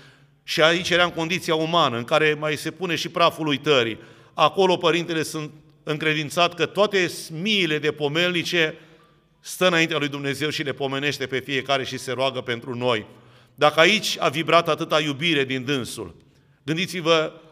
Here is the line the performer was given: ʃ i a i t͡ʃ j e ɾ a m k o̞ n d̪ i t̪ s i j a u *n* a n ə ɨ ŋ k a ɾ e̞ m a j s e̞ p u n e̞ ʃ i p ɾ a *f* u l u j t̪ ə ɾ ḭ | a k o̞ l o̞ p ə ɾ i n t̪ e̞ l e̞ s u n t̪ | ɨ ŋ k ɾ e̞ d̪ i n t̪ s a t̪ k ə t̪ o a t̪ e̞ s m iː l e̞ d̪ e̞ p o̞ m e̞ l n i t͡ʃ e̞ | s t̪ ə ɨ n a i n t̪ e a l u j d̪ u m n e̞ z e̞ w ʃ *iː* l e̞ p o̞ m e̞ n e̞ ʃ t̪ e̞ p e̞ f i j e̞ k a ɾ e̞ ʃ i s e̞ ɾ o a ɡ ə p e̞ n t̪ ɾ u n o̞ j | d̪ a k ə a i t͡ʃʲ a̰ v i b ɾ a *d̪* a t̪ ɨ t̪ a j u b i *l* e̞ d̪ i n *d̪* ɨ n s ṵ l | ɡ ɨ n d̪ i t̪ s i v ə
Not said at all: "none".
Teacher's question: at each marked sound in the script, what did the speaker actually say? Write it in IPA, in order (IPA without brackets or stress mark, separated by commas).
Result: m, f, i, t̪, ɾ, d̪